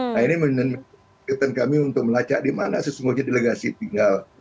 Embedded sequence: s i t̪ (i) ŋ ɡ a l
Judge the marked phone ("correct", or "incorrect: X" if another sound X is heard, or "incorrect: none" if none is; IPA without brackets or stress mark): correct